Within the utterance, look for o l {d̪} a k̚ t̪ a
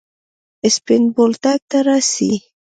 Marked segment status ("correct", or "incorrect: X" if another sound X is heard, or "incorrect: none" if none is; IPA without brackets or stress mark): incorrect: t̪